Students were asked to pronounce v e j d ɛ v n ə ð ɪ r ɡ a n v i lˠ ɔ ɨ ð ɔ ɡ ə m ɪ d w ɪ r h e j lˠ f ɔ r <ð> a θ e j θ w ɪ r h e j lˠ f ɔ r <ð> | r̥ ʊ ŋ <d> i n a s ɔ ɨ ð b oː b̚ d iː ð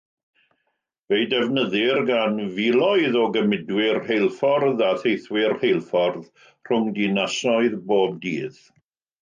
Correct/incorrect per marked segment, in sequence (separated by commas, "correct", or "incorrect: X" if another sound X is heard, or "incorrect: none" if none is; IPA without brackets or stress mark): correct, correct, correct